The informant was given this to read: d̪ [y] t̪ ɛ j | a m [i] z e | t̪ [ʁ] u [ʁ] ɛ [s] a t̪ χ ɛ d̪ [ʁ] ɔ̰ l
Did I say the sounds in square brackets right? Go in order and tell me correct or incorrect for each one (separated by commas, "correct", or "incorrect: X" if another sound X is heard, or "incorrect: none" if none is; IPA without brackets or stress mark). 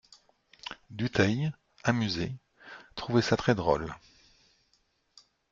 correct, incorrect: y, incorrect: χ, incorrect: v, correct, correct